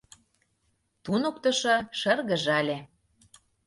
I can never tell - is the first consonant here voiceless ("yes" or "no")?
yes